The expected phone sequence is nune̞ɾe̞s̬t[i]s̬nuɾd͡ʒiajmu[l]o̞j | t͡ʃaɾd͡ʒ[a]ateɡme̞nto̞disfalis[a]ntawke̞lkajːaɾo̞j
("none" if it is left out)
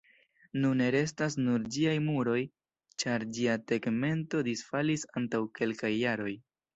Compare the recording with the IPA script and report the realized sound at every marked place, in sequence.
a, ɾ, i, a

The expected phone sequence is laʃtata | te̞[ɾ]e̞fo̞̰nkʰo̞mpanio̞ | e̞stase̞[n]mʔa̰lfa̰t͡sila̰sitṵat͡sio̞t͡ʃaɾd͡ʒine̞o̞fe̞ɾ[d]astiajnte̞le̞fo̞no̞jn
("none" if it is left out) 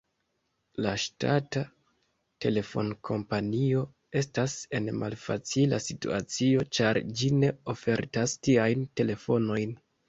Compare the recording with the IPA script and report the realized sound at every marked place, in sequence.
l, n, t

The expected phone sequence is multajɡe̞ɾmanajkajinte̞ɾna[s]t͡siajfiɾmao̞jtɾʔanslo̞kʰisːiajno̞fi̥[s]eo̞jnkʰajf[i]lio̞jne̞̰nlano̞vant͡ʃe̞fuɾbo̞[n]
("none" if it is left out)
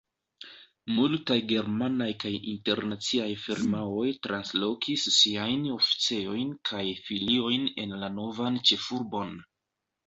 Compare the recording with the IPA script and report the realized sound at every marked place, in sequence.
none, t͡s, i, n

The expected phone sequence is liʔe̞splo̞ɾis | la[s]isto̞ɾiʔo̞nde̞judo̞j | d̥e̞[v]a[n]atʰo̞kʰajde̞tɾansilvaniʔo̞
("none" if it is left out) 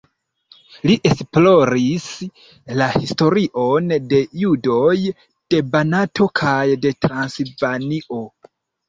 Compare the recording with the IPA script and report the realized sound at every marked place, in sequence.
h, b, n

